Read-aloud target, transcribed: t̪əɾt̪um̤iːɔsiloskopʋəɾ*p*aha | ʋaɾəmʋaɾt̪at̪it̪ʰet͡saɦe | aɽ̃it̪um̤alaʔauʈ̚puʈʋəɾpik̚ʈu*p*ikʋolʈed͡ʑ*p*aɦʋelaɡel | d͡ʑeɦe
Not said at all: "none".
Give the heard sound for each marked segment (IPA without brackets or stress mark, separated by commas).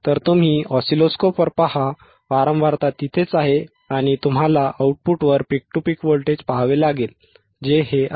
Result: p, p, p